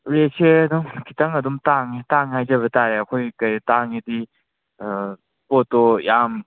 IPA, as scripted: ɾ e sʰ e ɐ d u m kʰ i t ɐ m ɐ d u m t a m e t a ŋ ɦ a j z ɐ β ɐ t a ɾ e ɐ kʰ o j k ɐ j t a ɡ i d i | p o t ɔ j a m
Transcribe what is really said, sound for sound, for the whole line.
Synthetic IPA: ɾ e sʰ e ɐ d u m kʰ i t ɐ ŋ ɐ d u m t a ŋ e t a ŋ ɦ a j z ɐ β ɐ t a ɾ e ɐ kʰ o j k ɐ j t a ŋ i d i | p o t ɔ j a m

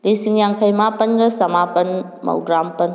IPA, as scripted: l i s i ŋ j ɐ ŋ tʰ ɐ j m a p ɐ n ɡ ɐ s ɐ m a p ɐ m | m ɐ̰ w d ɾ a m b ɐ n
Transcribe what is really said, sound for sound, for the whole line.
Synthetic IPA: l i s i ŋ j a ŋ kʰ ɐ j m a p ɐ n ɡ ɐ s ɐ m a p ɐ n | m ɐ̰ w d ɾ a m p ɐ n

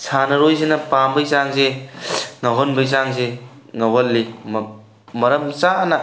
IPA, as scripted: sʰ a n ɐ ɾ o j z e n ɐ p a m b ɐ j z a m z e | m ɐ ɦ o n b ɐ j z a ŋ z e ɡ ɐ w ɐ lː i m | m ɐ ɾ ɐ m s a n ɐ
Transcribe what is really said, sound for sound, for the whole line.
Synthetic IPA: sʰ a n ɐ ɾ o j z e n ɐ p a m b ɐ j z a ŋ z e | ŋ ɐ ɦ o n b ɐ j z a ŋ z e ŋ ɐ w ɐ lː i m | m ɐ ɾ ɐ m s a n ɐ

